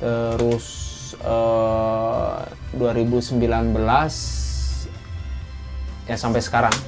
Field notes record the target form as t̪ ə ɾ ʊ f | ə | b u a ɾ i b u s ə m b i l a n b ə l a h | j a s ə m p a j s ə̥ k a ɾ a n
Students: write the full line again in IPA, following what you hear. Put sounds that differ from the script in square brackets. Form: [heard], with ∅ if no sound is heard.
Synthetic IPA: t̪ ə ɾ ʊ [s] | ə | [d] u a ɾ i b u s ə m b i l a n b ə l a [s] | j a s [a] m p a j s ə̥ k a ɾ a [ŋ]